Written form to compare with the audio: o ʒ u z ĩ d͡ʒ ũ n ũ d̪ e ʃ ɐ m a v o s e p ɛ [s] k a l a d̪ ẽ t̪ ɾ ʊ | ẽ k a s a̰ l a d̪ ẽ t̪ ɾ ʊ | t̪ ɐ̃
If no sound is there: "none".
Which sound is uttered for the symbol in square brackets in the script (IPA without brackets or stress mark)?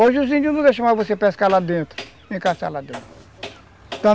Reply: s